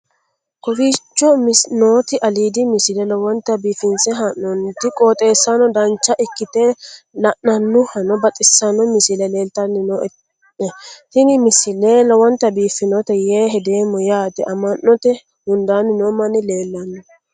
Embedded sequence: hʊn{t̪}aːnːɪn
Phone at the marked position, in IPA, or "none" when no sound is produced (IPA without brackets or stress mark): d̪